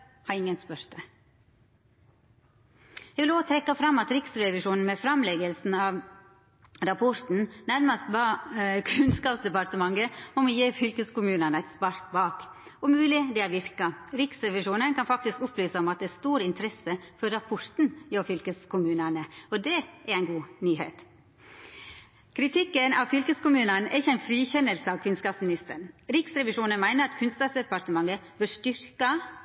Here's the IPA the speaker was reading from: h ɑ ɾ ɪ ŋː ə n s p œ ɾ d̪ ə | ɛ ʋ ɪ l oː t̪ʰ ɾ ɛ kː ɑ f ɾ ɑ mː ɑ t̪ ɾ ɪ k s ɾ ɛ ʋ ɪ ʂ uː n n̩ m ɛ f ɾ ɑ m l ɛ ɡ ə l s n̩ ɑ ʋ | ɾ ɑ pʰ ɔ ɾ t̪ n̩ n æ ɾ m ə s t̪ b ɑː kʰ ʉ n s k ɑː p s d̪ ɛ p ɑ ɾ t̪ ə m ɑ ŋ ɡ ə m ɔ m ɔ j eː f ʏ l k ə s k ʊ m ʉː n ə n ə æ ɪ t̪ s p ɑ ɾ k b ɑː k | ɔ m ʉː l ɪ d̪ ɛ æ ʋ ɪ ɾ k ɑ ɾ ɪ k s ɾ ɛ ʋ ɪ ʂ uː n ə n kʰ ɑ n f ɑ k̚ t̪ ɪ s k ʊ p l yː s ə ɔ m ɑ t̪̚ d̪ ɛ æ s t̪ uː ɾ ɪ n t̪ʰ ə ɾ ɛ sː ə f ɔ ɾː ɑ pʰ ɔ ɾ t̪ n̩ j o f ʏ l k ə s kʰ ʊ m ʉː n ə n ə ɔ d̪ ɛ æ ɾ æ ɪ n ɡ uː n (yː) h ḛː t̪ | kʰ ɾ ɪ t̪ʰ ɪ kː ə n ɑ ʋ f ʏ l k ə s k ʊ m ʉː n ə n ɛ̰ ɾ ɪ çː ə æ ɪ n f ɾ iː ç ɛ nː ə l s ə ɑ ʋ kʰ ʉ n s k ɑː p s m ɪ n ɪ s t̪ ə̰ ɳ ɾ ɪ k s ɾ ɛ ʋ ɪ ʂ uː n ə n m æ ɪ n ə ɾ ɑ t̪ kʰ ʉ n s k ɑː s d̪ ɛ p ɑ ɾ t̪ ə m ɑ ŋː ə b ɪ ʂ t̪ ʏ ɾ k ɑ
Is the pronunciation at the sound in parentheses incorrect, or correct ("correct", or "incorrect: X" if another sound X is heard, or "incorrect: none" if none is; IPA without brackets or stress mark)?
correct